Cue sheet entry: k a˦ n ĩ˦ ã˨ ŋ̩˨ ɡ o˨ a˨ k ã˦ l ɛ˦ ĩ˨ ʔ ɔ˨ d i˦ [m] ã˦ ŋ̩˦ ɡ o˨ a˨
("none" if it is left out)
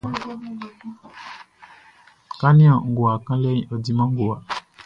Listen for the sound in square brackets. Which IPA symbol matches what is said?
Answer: m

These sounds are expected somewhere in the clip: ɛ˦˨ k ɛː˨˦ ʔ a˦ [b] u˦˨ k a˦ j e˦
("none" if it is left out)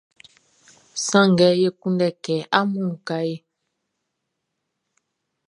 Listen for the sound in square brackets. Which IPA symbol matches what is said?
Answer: m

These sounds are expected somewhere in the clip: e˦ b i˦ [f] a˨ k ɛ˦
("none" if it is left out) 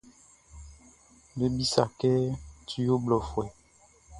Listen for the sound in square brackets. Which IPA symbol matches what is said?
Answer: s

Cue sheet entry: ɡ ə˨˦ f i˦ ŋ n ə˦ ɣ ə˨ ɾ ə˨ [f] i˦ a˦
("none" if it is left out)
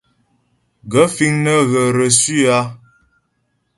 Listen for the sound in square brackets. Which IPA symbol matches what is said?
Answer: s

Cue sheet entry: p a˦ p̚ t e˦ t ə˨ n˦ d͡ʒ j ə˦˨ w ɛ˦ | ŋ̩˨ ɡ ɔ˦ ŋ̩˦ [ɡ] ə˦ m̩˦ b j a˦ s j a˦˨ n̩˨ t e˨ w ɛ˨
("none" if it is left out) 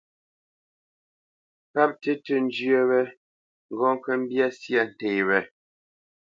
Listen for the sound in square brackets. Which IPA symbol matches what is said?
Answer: k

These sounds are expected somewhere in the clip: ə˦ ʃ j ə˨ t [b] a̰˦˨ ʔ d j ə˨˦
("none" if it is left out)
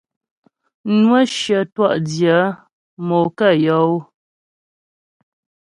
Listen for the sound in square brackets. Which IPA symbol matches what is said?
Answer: w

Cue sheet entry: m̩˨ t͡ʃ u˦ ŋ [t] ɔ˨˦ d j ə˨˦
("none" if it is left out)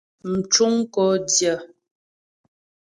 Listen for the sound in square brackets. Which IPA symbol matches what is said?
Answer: k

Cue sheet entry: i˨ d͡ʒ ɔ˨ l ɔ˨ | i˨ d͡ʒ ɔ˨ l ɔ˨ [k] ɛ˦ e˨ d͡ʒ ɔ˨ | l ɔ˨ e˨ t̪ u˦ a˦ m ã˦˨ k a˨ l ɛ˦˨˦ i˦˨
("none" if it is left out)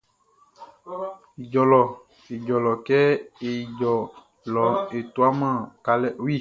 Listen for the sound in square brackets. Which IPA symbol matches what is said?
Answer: k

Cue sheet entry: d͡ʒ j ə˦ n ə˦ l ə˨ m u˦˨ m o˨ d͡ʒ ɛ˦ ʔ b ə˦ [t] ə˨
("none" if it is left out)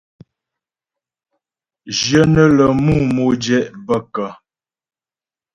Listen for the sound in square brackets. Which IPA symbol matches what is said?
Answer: k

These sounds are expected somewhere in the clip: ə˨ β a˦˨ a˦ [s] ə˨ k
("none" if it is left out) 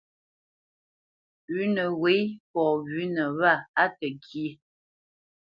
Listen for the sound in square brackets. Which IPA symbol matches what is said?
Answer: t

